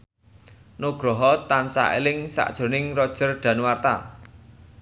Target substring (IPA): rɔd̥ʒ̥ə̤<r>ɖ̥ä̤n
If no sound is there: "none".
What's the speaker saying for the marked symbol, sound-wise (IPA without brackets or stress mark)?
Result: r